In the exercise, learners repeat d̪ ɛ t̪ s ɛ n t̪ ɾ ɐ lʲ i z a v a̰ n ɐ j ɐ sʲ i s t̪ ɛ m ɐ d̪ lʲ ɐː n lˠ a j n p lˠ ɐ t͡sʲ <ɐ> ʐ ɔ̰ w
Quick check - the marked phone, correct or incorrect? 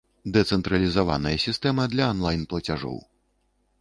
incorrect: a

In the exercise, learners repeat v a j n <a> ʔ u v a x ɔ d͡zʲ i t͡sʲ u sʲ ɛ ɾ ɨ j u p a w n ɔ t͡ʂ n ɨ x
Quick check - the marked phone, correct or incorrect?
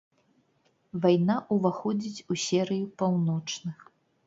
correct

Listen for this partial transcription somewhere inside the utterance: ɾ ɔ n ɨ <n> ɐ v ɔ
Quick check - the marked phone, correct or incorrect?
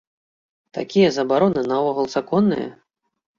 correct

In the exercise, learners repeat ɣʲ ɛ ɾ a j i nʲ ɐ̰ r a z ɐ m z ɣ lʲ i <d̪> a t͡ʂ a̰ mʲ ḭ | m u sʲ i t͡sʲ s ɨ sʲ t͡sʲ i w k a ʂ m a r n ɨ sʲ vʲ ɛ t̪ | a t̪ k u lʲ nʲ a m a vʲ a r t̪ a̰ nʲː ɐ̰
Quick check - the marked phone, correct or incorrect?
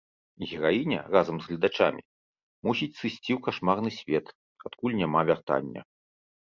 correct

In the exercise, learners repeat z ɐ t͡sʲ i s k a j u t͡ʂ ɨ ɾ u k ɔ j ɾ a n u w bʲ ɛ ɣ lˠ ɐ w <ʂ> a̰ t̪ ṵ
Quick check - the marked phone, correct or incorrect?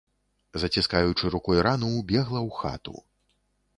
incorrect: x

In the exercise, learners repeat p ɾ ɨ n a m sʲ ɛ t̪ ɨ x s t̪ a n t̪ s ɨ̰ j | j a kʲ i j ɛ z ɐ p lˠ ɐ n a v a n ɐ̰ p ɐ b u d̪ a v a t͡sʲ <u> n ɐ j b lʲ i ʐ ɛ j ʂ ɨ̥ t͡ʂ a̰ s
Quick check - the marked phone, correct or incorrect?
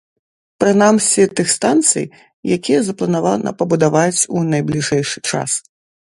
correct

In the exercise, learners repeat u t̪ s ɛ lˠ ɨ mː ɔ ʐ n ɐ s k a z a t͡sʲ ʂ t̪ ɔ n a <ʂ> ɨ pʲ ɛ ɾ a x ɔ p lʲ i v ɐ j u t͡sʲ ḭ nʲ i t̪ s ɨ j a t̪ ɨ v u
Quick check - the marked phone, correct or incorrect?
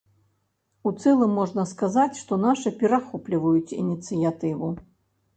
correct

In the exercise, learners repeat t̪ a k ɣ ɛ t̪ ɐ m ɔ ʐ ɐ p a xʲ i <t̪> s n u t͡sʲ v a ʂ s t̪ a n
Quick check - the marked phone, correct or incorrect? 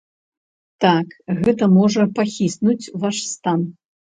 incorrect: none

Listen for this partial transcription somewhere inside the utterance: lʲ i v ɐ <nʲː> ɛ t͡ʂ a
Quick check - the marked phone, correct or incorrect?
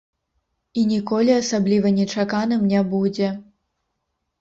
incorrect: nʲ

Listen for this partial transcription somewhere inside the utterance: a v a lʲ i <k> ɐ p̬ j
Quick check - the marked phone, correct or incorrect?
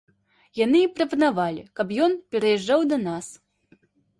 correct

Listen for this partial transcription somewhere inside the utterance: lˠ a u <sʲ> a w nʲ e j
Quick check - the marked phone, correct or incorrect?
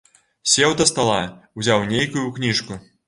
incorrect: zʲ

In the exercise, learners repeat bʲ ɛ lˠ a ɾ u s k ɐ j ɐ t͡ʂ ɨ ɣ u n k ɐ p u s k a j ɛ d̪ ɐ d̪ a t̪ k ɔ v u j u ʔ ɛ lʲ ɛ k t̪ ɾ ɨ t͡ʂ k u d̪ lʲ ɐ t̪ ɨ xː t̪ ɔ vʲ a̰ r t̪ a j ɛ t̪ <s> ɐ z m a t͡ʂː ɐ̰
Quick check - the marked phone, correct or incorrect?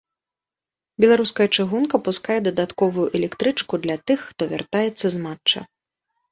incorrect: sː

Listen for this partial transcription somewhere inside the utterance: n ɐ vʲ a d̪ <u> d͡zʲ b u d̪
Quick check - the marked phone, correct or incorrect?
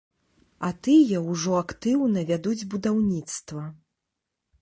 correct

